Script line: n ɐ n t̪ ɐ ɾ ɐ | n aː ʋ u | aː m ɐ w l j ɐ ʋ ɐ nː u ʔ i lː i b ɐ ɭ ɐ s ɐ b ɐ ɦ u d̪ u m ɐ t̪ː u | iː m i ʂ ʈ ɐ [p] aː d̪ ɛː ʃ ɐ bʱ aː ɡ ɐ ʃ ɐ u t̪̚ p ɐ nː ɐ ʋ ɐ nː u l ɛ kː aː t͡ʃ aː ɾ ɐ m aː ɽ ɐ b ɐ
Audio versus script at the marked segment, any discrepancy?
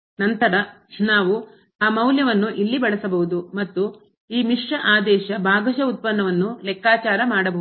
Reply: yes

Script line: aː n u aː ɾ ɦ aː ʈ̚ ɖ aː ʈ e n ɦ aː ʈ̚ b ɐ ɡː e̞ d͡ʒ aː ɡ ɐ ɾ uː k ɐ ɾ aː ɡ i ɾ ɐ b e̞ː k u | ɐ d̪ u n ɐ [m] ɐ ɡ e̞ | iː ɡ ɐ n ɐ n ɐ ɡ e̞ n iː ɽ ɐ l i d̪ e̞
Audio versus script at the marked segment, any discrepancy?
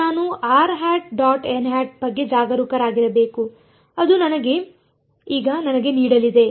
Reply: yes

